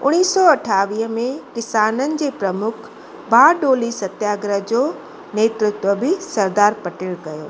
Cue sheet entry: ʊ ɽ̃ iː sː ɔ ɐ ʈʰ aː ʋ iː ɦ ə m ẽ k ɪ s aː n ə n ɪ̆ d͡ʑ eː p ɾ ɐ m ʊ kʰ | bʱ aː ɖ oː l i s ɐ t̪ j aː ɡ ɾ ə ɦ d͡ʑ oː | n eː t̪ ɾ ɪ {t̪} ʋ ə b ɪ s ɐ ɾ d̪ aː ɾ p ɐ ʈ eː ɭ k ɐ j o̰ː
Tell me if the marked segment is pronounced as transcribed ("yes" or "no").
yes